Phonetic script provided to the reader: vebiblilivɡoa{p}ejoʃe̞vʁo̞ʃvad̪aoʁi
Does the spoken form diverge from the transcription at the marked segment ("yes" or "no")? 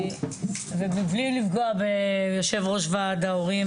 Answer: yes